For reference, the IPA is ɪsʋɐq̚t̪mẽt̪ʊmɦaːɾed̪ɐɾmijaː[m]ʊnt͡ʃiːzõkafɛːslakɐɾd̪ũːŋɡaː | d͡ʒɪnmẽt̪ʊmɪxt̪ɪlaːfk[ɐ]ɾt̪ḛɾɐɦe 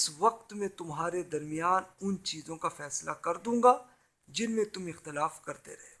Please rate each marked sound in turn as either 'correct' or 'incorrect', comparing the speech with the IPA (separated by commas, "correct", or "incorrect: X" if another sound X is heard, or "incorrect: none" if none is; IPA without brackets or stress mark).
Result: incorrect: n, correct